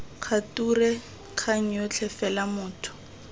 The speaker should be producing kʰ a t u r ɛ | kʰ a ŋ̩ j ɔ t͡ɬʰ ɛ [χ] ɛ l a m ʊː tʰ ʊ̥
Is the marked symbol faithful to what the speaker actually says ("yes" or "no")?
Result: no